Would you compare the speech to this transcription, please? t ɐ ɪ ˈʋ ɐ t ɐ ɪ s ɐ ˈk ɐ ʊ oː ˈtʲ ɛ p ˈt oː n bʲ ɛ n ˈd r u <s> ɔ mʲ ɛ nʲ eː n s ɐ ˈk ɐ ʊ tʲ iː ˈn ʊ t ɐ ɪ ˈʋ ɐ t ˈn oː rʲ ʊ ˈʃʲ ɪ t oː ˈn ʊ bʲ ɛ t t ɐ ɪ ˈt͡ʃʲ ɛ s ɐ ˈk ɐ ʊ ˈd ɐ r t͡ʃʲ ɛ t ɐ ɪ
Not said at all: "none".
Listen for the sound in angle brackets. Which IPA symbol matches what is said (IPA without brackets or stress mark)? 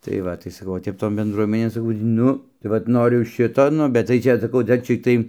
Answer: none